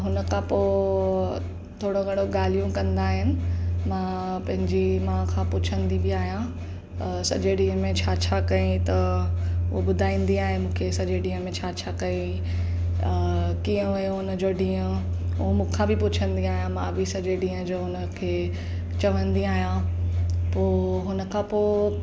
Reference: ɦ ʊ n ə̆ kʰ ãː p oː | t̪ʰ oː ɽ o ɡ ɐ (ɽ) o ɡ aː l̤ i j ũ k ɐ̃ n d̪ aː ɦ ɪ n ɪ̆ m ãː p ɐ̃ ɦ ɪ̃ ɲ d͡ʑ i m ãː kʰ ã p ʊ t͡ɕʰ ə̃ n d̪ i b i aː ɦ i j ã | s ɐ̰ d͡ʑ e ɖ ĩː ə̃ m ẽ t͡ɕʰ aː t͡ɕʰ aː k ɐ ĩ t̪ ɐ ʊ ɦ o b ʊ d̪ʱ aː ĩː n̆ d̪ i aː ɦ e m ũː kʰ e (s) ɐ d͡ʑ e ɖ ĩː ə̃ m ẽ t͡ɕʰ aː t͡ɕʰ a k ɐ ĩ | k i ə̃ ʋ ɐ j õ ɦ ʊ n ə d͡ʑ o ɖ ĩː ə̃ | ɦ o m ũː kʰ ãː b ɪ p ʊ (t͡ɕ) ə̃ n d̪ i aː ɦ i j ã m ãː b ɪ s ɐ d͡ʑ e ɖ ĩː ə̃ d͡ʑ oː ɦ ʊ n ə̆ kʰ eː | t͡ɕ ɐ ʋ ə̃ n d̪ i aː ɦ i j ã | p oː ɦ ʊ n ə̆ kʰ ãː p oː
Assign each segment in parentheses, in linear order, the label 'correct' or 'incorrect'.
correct, correct, incorrect

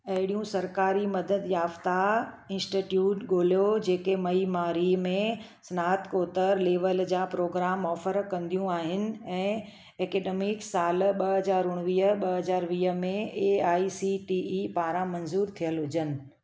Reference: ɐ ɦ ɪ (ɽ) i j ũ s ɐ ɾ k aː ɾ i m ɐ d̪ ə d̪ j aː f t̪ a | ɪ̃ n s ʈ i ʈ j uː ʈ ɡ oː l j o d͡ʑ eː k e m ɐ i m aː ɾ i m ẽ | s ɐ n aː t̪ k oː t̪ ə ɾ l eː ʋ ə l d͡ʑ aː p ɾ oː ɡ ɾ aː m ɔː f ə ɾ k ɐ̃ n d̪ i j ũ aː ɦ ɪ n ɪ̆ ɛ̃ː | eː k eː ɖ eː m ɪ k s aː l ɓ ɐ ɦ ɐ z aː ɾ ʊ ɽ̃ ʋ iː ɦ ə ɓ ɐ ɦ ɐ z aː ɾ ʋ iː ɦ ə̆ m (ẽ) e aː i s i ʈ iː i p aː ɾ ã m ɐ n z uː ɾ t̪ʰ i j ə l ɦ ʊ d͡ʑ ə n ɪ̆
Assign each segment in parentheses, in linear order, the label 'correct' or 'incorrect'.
correct, correct

